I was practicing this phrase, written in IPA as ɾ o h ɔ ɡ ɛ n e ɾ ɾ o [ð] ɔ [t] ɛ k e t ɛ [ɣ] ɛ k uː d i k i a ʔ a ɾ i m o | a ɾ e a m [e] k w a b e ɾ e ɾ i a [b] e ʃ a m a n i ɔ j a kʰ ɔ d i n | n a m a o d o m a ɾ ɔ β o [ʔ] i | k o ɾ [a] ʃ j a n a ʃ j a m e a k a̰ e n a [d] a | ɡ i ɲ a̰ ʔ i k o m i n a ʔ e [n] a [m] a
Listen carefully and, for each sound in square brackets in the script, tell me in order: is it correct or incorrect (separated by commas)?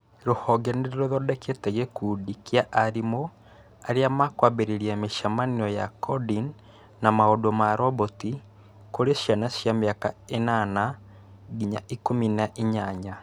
correct, incorrect, correct, incorrect, incorrect, incorrect, incorrect, incorrect, incorrect, incorrect